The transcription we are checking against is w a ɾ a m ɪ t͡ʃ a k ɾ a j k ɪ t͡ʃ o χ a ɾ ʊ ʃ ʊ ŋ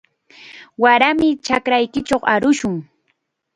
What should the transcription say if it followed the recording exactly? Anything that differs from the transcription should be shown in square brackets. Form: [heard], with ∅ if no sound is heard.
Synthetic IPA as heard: w a ɾ a m ɪ t͡ʃ a k ɾ a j k ɪ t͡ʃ o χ a ɾ ʊ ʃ ʊ ŋ